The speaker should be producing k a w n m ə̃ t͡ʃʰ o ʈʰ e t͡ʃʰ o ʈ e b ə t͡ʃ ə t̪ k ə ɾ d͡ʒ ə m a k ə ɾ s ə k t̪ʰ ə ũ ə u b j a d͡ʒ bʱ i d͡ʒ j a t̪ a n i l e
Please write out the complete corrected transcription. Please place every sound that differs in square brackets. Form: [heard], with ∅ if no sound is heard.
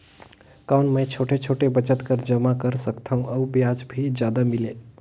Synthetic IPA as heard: k a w n m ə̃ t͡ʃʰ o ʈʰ e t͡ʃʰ o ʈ e b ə t͡ʃ ə t̪ k ə ɾ d͡ʒ ə m a k ə ɾ s ə k t̪ʰ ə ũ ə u b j a d͡ʒ bʱ i d͡ʒ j a [d̪] a [m] i l e